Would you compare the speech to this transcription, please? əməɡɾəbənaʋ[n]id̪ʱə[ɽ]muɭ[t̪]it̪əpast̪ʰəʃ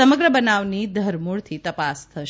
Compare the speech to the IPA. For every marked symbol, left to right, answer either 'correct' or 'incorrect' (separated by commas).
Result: correct, incorrect, incorrect